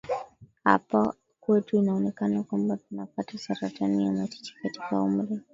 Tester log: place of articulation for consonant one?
glottal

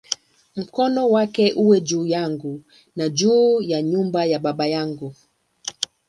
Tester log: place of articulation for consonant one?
labial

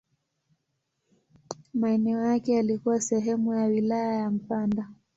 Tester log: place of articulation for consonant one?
labial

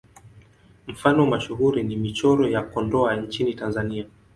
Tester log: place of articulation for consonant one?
labial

